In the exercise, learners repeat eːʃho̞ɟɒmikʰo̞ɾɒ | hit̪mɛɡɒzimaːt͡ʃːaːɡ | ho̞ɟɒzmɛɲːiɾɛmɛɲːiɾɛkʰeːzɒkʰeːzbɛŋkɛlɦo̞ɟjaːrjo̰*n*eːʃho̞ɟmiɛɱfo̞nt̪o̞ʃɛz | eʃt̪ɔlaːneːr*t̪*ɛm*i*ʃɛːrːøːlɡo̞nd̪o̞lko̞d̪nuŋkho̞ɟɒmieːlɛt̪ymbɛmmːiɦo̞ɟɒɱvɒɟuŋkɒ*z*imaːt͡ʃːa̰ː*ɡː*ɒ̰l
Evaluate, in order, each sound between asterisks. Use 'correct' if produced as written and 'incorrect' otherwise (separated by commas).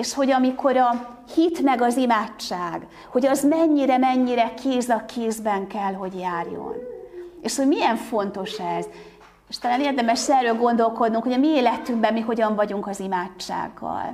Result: correct, incorrect, incorrect, correct, correct